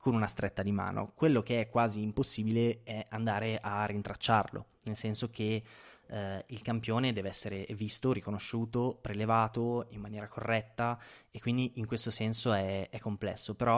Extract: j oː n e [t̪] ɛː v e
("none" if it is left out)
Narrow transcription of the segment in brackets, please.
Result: d̪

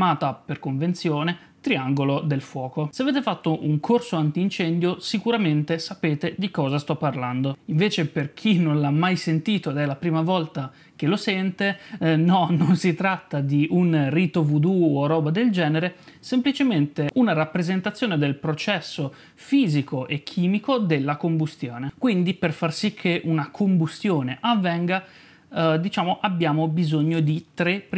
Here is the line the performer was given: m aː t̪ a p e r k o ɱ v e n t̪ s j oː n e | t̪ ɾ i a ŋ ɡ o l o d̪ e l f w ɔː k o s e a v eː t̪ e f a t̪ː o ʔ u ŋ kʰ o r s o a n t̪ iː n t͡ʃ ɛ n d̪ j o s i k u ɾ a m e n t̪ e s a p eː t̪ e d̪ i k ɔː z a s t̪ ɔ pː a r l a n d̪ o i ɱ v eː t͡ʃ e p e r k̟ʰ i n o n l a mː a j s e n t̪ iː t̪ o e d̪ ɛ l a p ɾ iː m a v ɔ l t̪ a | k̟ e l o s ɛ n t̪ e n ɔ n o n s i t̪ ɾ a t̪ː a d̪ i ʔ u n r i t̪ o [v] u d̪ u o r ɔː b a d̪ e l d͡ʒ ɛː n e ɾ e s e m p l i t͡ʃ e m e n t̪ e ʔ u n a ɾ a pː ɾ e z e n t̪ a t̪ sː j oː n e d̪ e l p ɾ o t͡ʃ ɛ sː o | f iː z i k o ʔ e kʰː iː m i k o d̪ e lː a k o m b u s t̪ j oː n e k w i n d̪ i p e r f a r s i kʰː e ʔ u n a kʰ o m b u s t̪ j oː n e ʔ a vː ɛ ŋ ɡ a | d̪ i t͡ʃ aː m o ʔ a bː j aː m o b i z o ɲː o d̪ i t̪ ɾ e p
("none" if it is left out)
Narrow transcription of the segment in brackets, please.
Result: v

